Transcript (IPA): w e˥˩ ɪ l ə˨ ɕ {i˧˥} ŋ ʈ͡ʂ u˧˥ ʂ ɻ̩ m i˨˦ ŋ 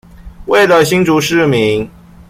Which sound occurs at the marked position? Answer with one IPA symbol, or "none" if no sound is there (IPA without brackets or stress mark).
i˥